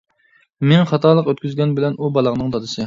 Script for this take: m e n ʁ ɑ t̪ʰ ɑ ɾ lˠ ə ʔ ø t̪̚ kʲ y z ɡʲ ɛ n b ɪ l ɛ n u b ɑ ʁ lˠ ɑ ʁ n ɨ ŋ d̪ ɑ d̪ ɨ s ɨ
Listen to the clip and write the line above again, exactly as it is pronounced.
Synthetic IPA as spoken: m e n χ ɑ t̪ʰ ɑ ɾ lˠ ə q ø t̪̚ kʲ y z ɡʲ ɛ n b ɪ l ɛ n u b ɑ lˠ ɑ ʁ n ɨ ŋ d̪ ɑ d̪ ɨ s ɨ